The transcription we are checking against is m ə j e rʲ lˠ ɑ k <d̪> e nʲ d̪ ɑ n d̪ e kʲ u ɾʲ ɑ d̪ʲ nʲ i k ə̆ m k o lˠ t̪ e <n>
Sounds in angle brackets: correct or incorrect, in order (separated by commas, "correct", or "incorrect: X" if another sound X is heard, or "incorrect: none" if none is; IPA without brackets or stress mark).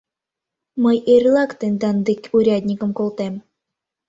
incorrect: t̪, incorrect: m